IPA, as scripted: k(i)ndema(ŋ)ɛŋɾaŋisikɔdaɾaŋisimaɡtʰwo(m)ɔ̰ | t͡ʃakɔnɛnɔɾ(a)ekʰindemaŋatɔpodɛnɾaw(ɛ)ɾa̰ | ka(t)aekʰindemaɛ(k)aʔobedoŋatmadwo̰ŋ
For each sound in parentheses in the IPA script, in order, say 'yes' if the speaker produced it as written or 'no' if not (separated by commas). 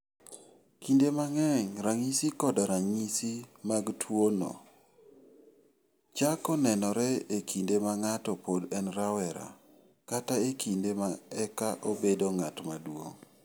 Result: yes, yes, no, no, yes, yes, yes